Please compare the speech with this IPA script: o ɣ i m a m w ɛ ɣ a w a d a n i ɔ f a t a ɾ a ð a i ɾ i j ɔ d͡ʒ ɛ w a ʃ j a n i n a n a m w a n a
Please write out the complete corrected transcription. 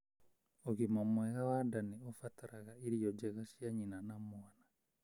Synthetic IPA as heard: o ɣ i m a m w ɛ ɣ a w a d a n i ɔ f a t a ɾ a ɣ a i ɾ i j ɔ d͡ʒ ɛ ɣ a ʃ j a ɲ i n a n a m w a n a